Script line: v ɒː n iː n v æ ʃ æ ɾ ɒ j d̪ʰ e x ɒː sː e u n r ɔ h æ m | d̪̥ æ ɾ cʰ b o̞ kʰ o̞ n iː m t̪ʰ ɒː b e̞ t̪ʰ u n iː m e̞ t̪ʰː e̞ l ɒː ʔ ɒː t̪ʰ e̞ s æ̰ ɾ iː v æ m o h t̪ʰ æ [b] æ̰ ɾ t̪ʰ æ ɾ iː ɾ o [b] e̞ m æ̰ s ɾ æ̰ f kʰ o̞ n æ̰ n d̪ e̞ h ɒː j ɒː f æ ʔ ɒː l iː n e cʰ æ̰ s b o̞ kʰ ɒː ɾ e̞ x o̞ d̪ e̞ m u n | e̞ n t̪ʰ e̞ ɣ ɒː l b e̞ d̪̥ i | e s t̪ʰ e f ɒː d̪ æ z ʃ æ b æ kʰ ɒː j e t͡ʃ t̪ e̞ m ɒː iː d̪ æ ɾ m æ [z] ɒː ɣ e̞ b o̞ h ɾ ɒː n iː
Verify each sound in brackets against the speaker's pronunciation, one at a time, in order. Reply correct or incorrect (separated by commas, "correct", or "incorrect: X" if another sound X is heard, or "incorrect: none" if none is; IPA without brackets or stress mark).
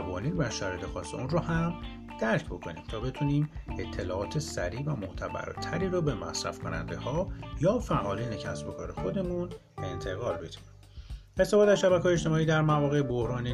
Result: correct, correct, incorrect: v